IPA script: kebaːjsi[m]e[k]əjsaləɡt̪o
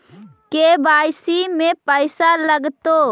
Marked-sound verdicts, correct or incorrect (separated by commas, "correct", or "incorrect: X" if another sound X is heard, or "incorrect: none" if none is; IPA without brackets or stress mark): correct, incorrect: p